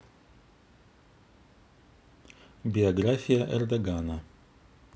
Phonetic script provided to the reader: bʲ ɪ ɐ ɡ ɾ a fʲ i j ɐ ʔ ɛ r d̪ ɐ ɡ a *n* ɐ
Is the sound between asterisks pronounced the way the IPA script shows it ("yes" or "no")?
yes